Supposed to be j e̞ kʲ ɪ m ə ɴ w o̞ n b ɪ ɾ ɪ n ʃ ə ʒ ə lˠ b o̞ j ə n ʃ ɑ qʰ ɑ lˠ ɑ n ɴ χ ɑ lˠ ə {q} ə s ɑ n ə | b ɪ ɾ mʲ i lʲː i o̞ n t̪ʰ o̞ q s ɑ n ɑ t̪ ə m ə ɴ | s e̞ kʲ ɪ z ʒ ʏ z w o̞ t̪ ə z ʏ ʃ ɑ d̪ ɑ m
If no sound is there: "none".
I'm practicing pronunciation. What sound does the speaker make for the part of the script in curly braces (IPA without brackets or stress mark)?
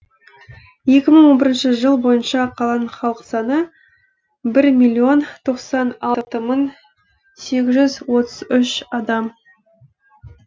q